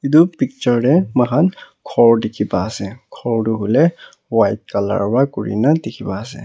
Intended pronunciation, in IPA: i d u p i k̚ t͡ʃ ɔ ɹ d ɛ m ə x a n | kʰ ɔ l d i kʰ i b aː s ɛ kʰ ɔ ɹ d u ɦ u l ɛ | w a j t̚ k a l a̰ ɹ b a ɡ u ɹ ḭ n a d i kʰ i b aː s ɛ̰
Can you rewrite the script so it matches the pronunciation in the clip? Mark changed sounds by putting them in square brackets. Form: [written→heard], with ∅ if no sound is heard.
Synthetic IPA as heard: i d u p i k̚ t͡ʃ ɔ ɹ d ɛ m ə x a n | kʰ ɔ [l→ɹ] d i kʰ i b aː s ɛ kʰ ɔ ɹ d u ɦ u l ɛ | w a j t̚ k a l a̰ ɹ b a [ɡ→k] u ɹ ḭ n a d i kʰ i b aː s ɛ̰